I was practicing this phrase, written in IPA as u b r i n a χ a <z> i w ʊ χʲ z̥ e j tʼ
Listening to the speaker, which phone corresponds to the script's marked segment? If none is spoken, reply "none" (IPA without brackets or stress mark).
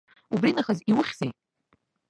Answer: z